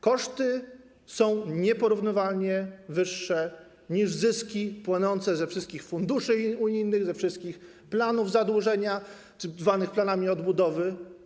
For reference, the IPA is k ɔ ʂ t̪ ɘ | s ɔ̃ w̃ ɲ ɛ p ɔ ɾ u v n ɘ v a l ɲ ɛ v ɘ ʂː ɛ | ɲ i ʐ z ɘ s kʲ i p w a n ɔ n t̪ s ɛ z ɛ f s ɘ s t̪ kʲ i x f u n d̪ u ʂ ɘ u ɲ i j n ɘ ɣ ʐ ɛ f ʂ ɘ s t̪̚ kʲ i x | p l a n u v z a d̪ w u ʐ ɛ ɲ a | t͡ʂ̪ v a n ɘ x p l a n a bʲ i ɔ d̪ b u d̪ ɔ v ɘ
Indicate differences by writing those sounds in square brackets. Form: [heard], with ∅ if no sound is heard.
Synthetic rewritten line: k ɔ ʂ t̪ ɘ | s ɔ̃ w̃ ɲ ɛ p ɔ ɾ u v n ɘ v a l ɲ ɛ v ɘ ʂː ɛ | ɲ i ʐ z ɘ s kʲ i p w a n ɔ n t̪ s ɛ z ɛ f [ʂ] ɘ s t̪ kʲ i x f u n d̪ u ʂ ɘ u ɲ i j n ɘ ɣ [z] ɛ f ʂ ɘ s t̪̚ kʲ i x | p l a n u v z a d̪ w u ʐ ɛ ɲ a | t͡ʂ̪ v a n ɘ x p l a n a [mʲ] i ɔ d̪ b u d̪ ɔ v ɘ